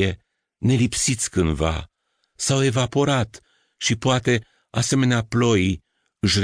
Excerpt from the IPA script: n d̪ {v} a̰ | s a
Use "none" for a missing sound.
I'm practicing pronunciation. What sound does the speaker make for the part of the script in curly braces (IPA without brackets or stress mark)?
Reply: v